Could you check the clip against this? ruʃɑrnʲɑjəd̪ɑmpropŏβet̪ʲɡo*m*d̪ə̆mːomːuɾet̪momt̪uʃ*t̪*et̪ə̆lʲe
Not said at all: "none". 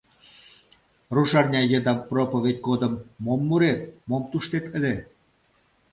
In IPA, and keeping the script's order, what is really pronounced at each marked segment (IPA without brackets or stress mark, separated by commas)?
none, t̪